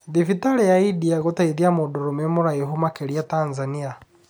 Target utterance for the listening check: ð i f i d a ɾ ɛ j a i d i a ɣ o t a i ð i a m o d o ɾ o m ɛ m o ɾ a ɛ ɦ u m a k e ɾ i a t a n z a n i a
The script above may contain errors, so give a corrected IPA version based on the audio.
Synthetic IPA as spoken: ð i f i t a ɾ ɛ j a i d i a ɣ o t a i ð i a m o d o ɾ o m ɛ m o ɾ a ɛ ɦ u m a k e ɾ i a t a n z a n i a